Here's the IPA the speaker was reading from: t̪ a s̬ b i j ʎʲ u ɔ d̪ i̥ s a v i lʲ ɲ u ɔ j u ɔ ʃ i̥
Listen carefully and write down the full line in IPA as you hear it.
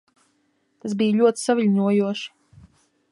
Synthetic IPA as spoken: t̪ a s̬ b i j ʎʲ u ɔ t̪ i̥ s a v i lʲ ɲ u ɔ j u ɔ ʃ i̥